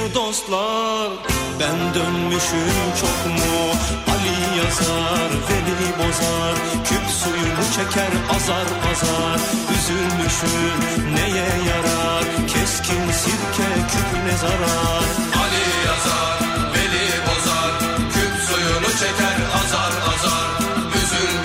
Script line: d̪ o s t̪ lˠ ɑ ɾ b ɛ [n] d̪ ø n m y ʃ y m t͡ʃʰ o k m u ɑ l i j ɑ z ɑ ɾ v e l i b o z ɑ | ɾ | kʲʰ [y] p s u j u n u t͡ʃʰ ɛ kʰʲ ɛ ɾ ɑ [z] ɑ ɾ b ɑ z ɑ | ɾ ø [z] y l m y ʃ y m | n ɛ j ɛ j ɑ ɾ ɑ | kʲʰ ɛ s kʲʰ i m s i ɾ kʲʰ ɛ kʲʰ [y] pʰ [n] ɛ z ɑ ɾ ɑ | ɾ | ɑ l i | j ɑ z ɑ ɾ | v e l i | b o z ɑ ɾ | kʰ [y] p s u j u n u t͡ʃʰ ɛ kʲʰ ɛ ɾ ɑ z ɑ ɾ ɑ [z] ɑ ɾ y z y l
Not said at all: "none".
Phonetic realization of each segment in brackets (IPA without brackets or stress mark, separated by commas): n, y, z, z, y, n, y, z